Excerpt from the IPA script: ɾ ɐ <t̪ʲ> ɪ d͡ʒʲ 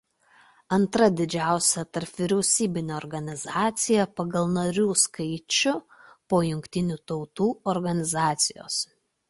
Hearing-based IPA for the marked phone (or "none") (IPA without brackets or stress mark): d̪ʲ